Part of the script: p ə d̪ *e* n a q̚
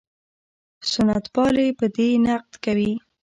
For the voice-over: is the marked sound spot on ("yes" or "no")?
yes